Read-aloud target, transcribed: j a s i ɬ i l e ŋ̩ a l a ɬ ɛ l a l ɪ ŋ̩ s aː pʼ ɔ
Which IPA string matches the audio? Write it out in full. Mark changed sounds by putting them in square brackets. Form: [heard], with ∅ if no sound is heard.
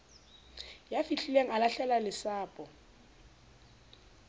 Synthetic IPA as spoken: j a [f] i ɬ i l e ŋ̩ a l a ɬ ɛ l a l ɪ [∅] s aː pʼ ɔ